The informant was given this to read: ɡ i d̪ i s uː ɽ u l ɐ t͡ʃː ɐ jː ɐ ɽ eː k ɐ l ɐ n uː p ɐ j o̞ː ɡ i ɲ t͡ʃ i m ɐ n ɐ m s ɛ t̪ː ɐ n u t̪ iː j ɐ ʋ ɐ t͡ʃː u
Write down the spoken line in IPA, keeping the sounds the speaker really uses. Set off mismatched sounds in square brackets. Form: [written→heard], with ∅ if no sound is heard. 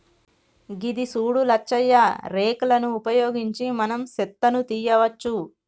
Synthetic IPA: ɡ i d̪ i s uː ɽ u l ɐ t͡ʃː ɐ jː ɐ [ɽ→ɾ] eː k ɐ l ɐ n uː p ɐ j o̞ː ɡ i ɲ t͡ʃ i m ɐ n ɐ m s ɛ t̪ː ɐ n u t̪ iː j ɐ ʋ ɐ t͡ʃː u